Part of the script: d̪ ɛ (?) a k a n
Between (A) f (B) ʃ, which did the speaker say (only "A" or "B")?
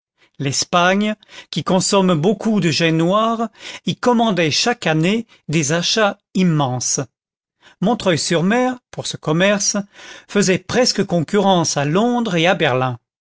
B